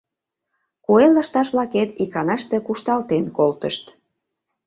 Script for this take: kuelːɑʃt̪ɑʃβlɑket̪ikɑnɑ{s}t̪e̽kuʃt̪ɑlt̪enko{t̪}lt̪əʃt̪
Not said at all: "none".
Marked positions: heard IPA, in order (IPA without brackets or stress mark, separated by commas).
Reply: ʃ, none